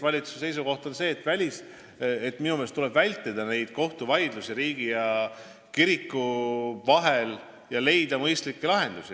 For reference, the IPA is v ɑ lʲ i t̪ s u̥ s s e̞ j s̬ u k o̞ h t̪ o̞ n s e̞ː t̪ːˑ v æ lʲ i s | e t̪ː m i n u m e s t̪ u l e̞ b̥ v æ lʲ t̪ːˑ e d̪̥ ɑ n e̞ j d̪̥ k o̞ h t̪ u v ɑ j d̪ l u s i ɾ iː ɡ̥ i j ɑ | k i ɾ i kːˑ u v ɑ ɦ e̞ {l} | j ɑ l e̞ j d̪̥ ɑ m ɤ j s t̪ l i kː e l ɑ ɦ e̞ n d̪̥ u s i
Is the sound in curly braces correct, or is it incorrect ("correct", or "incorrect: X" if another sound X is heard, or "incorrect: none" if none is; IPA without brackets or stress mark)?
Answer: correct